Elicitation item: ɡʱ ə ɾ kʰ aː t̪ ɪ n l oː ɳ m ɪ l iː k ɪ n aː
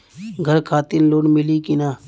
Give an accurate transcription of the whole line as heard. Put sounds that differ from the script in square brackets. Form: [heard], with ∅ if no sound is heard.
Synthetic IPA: ɡʱ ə ɾ kʰ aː t̪ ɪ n l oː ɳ m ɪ l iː k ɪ n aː